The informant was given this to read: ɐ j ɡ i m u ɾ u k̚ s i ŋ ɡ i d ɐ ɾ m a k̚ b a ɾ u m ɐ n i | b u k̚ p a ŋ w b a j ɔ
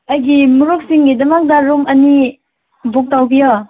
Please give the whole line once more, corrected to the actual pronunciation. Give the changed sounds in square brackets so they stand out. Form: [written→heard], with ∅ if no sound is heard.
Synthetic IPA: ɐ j ɡ i m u ɾ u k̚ s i ŋ ɡ i d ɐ [ɾ→∅] m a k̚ [b→d] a ɾ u m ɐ n i | b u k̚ [p→t] a [ŋ→∅] w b [a→i] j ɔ